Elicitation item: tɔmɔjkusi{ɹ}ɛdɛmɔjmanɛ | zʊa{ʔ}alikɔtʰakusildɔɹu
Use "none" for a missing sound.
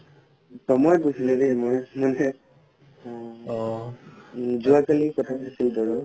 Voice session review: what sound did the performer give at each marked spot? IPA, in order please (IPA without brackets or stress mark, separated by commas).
l, k